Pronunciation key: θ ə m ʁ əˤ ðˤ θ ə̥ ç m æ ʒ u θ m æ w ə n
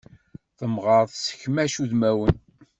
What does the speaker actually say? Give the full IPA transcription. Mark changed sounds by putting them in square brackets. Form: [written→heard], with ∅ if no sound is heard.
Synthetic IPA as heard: θ ə m ʁ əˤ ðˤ [θ→s] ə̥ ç m æ [ʒ→ʃ] u [θ→ð] m æ w ə n